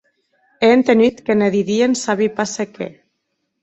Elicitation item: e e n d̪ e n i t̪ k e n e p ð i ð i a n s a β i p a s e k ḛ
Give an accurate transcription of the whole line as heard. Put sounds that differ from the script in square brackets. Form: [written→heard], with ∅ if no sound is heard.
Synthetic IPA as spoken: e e n [d̪→t̪] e n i t̪ k e n e [p→∅] ð i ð i [a→e] n s a β i p a s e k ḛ